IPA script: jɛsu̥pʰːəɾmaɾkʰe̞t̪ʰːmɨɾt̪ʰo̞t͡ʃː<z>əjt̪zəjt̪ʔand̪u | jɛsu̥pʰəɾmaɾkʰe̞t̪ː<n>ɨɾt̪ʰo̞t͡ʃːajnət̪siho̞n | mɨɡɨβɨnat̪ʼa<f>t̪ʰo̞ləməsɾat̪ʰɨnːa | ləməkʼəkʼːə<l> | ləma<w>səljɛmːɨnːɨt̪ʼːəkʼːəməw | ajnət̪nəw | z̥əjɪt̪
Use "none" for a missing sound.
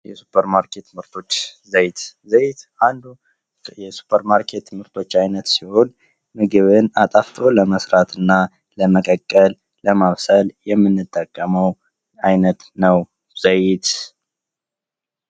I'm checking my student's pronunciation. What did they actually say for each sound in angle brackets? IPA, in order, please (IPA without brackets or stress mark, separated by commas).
z, m, f, l, β